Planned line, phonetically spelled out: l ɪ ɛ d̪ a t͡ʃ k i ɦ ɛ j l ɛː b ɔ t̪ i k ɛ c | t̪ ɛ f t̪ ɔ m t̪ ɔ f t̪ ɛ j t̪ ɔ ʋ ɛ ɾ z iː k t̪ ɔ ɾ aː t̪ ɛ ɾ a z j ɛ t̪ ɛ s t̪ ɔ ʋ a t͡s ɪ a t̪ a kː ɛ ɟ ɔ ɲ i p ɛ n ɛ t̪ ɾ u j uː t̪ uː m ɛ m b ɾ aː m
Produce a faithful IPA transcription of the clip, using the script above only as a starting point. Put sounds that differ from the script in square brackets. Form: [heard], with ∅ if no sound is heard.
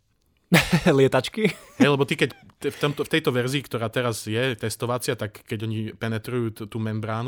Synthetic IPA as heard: l ɪ ɛ [t̪] a t͡ʃ k i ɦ ɛ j l [ɛ] b ɔ t̪ i k ɛ c | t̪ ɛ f t̪ ɔ m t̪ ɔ f t̪ ɛ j t̪ ɔ ʋ ɛ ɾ z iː k t̪ ɔ ɾ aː t̪ ɛ ɾ a z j ɛ t̪ ɛ s t̪ ɔ ʋ a t͡s ɪ a t̪ a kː ɛ ɟ ɔ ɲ i p ɛ n ɛ t̪ ɾ u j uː t̪ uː m ɛ m b ɾ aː [n]